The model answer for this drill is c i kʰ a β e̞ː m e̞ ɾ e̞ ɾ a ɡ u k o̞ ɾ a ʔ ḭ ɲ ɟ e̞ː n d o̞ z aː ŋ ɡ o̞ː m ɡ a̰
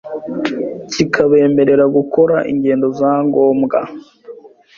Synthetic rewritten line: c i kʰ a β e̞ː m e̞ ɾ e̞ ɾ a ɡ u k o̞ ɾ a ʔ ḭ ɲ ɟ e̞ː n d o̞ z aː ŋ ɡ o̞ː m ɡ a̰